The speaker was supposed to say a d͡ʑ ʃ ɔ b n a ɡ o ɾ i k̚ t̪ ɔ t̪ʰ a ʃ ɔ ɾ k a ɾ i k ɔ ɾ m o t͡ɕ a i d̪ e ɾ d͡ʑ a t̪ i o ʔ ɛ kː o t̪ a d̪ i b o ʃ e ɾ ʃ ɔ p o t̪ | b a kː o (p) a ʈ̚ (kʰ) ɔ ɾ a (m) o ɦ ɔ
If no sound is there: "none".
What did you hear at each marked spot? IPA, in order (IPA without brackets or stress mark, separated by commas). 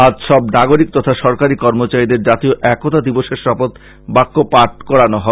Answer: p, k, n